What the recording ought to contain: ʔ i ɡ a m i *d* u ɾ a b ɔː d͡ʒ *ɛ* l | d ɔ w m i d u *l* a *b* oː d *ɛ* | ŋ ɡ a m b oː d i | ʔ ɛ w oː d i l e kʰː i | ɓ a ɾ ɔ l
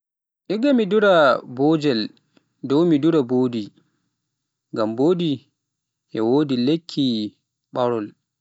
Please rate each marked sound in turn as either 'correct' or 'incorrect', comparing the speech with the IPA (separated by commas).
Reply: correct, correct, incorrect, correct, incorrect